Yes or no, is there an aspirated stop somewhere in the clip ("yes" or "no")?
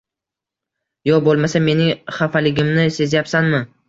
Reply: no